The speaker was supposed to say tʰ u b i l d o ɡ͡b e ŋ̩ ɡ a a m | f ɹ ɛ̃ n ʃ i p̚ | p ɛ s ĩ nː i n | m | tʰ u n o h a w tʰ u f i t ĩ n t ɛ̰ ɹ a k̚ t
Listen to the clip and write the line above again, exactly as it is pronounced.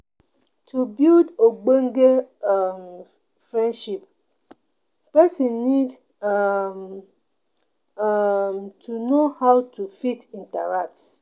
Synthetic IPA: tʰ u b i l d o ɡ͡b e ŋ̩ ɡ e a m | f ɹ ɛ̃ n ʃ i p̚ | p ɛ s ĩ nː i d | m | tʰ u n o h a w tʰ u f i t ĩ n t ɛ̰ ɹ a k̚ t